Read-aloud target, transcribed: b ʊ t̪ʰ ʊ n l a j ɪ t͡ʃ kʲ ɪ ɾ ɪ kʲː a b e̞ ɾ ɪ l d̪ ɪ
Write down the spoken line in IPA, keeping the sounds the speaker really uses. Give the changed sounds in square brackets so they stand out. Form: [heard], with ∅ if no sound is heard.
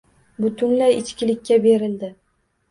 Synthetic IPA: b ʊ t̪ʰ ʊ n l a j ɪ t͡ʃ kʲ ɪ [l] ɪ kʲː a b e̞ ɾ ɪ l d̪ ɪ